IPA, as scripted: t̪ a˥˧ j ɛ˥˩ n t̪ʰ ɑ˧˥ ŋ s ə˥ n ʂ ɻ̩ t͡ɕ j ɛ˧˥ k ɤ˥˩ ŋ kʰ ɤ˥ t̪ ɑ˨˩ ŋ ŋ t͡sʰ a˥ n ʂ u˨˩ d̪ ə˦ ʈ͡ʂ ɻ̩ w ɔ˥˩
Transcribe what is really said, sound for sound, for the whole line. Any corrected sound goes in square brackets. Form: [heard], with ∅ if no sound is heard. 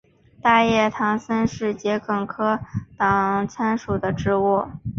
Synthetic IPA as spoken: t̪ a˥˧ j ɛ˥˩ [∅] t̪ʰ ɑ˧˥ ŋ s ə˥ n ʂ ɻ̩ t͡ɕ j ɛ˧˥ k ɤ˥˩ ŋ kʰ ɤ˥ t̪ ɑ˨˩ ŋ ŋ t͡sʰ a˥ n ʂ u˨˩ d̪ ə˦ ʈ͡ʂ ɻ̩ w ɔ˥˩